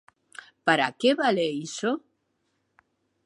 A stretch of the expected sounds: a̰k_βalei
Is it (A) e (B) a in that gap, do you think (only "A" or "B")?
A